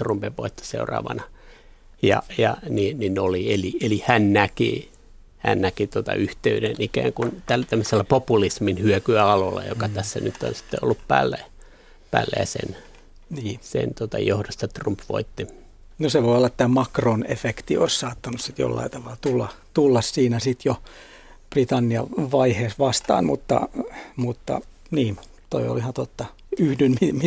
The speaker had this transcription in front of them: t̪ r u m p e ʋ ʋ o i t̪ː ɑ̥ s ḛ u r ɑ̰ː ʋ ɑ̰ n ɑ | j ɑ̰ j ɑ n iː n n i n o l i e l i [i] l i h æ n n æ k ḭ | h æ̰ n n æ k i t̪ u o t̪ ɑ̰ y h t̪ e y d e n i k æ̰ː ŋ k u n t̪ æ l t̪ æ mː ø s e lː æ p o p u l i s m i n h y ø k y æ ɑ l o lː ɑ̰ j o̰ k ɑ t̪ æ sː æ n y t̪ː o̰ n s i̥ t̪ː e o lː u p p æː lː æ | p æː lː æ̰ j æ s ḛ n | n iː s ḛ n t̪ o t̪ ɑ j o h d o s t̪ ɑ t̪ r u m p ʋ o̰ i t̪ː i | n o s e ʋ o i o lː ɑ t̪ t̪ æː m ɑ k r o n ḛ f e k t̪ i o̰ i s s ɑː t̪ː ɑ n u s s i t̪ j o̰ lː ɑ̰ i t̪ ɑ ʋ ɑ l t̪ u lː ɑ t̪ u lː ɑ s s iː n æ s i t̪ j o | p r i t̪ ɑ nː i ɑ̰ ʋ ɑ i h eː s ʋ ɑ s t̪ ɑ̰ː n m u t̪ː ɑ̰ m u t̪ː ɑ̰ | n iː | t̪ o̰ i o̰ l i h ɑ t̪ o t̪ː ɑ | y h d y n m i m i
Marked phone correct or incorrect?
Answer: incorrect